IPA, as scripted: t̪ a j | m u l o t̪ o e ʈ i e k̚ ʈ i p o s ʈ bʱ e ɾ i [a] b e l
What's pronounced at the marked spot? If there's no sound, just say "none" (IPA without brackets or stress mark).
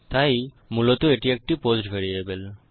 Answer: e